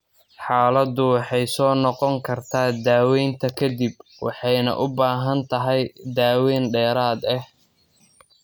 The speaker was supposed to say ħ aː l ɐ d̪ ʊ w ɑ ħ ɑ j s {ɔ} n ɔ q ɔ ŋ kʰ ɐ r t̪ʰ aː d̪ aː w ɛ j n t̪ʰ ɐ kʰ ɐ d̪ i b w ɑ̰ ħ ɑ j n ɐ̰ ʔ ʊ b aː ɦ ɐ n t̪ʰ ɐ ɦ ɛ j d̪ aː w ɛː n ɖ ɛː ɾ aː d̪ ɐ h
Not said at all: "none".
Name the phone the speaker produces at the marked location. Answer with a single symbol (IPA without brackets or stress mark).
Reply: ɔː